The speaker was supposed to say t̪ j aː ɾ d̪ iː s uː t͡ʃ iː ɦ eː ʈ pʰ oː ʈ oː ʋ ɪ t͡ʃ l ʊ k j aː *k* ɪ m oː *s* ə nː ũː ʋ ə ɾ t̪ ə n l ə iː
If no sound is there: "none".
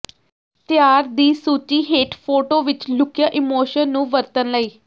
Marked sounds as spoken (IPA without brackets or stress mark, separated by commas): ʔ, ʃ